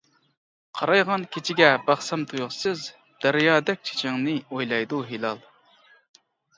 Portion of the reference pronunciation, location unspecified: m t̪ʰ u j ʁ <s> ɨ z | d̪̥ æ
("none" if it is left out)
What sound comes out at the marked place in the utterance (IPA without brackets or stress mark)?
s